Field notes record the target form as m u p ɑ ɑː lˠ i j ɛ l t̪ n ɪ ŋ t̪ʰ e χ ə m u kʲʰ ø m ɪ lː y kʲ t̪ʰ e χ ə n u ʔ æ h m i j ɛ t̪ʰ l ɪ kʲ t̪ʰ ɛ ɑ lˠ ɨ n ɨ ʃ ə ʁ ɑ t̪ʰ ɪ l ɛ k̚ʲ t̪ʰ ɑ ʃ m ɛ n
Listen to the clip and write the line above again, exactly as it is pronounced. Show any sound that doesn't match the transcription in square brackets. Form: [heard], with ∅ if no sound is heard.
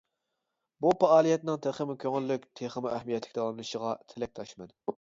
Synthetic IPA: [b] u p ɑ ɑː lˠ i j ɛ [∅] t̪ n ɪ ŋ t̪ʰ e χ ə m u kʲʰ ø [ŋ] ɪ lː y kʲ t̪ʰ e χ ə [m] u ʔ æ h m i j ɛ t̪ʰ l ɪ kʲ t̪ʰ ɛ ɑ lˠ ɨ n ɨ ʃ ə ʁ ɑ t̪ʰ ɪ l ɛ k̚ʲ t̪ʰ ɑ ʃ m ɛ n